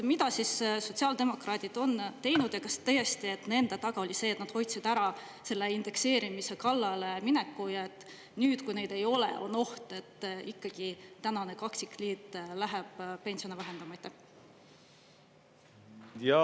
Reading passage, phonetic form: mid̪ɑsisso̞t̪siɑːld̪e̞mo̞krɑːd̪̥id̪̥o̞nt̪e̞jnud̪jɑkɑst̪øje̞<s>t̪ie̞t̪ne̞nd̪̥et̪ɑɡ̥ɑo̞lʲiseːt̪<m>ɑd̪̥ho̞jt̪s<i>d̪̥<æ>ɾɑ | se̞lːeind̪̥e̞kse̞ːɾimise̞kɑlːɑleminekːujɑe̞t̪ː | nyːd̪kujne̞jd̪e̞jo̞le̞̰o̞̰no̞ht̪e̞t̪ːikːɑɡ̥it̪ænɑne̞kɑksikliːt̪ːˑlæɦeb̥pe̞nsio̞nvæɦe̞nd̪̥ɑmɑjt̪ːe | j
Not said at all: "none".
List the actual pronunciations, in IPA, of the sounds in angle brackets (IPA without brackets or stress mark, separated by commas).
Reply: s, n, i, æ